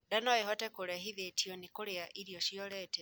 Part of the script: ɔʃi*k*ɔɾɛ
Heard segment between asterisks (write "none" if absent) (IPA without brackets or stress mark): none